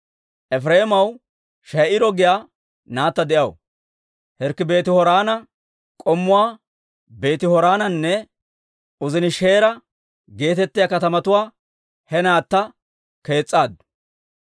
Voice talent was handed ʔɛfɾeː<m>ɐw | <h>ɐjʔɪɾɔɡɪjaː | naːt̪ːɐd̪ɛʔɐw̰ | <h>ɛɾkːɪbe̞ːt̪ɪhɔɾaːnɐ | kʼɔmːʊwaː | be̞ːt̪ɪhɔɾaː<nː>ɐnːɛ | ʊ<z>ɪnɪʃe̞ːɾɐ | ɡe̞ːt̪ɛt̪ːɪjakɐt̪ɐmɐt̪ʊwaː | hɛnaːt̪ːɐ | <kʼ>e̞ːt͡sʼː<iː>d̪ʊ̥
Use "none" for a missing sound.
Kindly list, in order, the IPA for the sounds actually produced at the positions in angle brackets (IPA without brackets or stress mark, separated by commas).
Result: m, ʃ, h, n, z, k, aː